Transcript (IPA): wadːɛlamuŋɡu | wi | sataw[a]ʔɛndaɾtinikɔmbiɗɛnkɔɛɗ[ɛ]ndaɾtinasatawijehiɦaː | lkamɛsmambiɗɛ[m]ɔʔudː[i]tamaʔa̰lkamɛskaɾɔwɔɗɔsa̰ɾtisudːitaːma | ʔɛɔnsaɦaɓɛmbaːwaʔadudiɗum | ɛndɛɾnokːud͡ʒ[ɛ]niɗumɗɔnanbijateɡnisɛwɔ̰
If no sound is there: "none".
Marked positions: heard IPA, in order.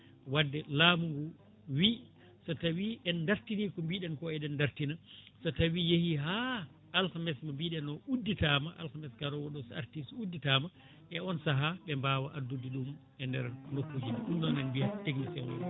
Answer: i, ɛ, n, i, i

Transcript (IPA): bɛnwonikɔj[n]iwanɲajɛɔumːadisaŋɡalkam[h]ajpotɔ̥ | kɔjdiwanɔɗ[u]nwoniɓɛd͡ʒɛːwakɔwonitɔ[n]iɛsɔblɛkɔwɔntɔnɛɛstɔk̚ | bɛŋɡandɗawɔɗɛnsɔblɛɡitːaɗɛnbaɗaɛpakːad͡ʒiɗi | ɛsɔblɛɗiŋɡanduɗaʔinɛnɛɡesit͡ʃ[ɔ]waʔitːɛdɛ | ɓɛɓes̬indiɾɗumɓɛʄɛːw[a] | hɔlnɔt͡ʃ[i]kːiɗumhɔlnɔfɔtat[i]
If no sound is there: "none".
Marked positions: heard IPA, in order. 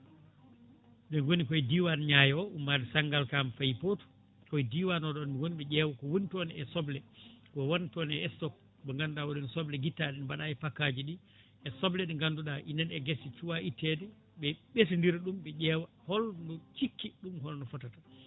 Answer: d, f, ɔ, n, u, a, i, a

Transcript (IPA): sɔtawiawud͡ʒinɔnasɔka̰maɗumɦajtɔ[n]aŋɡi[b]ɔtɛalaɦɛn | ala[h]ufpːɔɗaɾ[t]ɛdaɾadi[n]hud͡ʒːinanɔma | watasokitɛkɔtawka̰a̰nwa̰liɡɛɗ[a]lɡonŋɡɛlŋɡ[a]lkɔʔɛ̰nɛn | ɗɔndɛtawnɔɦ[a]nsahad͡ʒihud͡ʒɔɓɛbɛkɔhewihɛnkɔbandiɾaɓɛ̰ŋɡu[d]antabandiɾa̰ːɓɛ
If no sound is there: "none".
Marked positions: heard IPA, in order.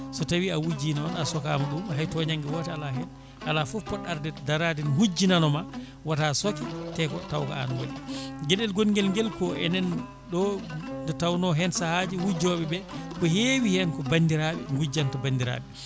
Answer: ɲ, w, f, d, n, ɛ, ɛ, ɛ, d͡ʒ

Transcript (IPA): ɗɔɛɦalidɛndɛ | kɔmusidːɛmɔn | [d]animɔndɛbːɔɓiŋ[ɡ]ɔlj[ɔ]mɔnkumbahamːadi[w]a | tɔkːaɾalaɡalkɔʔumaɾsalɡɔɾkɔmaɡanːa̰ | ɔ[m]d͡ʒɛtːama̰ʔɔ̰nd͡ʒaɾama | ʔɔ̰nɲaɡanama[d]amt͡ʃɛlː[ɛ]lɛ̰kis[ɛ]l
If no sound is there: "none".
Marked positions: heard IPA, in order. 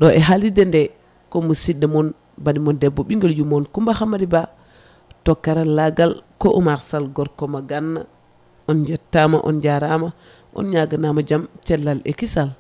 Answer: b, ɡ, u, b, n, d͡ʒ, a, a

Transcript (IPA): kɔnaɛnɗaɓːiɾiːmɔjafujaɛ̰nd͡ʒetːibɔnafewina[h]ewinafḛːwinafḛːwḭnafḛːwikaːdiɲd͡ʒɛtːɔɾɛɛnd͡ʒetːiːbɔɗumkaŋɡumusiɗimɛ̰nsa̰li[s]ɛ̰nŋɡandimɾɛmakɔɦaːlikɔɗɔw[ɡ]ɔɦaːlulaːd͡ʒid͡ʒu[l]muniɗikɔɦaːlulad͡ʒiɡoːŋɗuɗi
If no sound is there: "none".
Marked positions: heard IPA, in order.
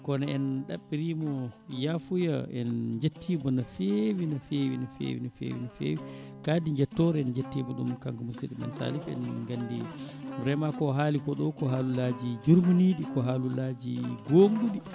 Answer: f, f, k, ɾ

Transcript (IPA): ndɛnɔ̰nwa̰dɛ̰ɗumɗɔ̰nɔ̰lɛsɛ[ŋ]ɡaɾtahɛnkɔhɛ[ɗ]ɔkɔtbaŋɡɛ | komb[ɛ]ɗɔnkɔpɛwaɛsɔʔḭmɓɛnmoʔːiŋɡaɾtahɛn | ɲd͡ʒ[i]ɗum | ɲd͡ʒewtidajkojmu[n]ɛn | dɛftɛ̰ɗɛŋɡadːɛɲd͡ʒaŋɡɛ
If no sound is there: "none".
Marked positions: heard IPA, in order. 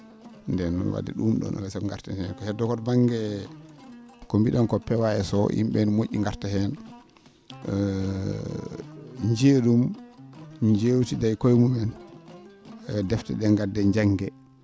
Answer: ŋ, d, i, e, m

